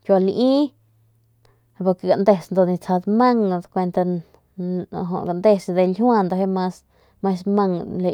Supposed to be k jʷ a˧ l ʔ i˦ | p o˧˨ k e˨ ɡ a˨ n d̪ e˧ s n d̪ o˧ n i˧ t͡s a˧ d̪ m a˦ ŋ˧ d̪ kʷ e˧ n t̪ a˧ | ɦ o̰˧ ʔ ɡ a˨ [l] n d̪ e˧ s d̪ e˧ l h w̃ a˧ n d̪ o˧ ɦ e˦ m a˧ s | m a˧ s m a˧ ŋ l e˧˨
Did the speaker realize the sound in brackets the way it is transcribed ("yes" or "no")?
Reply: no